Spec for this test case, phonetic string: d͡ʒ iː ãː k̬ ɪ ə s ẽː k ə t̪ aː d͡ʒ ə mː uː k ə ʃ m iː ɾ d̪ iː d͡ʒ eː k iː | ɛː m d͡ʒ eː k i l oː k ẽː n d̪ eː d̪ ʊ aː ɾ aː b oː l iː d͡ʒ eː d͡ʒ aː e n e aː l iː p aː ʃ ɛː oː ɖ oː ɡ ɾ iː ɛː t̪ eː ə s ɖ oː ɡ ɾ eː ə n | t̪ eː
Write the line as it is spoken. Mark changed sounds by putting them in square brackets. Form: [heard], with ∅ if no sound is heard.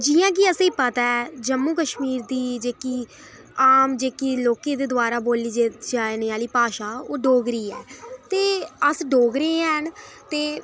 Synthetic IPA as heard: d͡ʒ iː ãː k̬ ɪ ə s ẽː [p] ə t̪ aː d͡ʒ ə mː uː k ə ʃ m iː ɾ d̪ iː d͡ʒ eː k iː | [aː] m d͡ʒ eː k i l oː k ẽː [∅] d̪ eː d̪ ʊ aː ɾ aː b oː l iː d͡ʒ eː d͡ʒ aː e n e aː l iː p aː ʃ [aː] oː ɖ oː ɡ ɾ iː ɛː t̪ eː ə s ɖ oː ɡ ɾ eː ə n | t̪ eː